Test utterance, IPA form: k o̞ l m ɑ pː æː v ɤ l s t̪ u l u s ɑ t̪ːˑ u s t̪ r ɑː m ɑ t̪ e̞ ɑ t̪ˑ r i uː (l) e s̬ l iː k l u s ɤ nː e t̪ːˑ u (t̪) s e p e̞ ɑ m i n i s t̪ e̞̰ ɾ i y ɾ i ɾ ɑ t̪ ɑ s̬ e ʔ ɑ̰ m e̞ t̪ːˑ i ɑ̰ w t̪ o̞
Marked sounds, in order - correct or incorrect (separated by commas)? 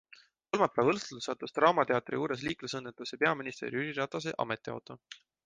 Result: incorrect, incorrect